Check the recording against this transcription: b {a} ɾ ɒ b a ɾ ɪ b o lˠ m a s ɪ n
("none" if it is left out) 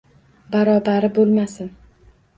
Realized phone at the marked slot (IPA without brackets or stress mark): a